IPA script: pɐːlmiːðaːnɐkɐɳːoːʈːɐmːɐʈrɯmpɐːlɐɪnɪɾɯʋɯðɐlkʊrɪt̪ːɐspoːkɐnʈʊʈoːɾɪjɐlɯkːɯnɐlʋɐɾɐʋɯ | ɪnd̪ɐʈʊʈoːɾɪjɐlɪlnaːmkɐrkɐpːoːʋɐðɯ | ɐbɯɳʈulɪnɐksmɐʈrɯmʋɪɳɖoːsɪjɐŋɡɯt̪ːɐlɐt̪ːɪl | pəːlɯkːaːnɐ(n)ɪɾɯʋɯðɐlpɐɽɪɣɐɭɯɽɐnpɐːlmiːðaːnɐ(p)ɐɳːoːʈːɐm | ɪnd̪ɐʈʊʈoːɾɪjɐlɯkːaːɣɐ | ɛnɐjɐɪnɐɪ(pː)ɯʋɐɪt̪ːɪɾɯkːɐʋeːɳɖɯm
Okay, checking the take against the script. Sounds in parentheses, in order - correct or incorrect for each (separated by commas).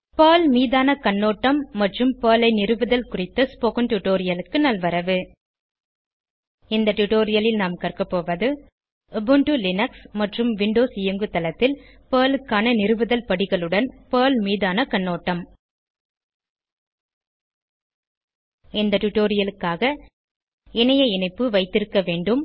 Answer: correct, incorrect, correct